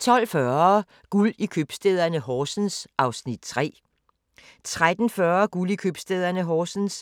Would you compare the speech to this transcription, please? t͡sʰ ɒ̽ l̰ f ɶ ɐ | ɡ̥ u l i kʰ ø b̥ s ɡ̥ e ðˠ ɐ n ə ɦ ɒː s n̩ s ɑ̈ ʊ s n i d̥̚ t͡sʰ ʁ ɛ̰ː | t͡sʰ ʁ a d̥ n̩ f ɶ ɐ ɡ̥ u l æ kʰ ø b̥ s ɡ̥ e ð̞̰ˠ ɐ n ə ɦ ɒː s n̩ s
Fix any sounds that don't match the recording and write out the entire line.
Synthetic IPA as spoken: t͡sʰ ɒ̽ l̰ f ɶ ɐ | ɡ̥ u l i kʰ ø b̥ s d̥ e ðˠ ɐ n ə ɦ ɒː s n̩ s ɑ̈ ʊ s n i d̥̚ t͡sʰ ʁ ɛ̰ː | t͡sʰ ʁ a d̥ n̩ f ɶ ɐ ɡ̥ u l i kʰ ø b̥ s d̥ e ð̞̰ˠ ɐ n ə ɦ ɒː s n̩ s

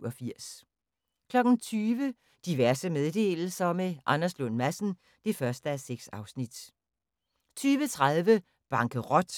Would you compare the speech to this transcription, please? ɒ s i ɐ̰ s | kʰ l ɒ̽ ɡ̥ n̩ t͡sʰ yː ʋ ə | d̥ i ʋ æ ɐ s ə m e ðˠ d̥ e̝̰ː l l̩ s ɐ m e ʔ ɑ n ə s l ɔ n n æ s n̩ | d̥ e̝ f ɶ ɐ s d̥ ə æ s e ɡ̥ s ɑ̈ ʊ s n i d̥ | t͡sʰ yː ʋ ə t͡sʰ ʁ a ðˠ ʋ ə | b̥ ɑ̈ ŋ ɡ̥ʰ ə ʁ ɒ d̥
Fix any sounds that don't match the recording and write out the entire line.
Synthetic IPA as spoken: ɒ f i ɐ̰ s | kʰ l ɒ̽ ɡ̥ n̩ t͡sʰ yː ʋ ə | d̥ i ʋ æ ɐ s ə m e ðˠ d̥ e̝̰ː l l̩ s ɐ m e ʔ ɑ n ɐ s l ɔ n m æ s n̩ | d̥ e̝ f ɶ ɐ s d̥ ə æ s e ɡ̥ s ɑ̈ ʊ s n i d̥ | t͡sʰ yː ʋ ə t͡sʰ ʁ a ðˠ ʋ ə | b̥ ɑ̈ ŋ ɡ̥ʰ ə ʁ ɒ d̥

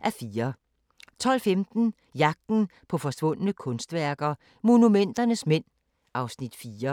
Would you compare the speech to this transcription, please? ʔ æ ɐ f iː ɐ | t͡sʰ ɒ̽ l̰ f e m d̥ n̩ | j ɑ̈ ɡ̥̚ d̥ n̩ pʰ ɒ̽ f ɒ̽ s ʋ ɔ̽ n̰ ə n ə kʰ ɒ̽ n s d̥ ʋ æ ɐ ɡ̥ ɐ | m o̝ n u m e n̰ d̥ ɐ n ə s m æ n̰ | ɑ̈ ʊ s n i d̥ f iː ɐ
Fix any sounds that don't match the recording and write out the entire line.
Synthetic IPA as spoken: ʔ æ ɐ f iː ɐ | t͡sʰ ɒ̽ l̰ f e m d̥ n̩ | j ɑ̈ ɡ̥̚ d̥ n̩ pʰ ɒ̽ f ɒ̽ s ʋ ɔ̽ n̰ ə n ə kʰ ɔ̽ n s d̥ ʋ æ ɐ ɡ̥ ɐ | m o̝ n u m e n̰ d̥ ɐ n ə s m e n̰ | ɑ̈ ʊ s n i d̥ f iː ɐ

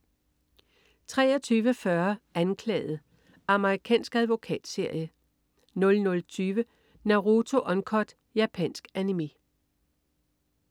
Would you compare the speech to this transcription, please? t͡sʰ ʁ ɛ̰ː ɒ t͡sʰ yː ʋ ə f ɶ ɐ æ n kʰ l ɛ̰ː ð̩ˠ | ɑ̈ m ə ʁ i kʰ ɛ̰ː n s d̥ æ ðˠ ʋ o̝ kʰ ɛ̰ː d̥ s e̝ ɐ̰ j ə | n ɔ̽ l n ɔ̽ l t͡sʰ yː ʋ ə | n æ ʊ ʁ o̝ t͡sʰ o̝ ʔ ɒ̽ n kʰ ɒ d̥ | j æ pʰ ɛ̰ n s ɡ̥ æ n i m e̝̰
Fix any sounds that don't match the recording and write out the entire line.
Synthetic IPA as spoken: t͡sʰ ʁ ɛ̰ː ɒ t͡sʰ yː ʋ ə f ɶ ɐ æ n kʰ l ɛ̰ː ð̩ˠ | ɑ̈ m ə ʁ i kʰ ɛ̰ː n s ɡ̥ æ ðˠ ʋ o̝ kʰ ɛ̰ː d̥ s e̝ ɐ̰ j ə | n ɔ̽ l n ɔ̽ l t͡sʰ yː ʋ ə | n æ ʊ ʁ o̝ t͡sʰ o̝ ʔ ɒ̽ n kʰ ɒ d̥ | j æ pʰ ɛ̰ n s ɡ̥ æ n i m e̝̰

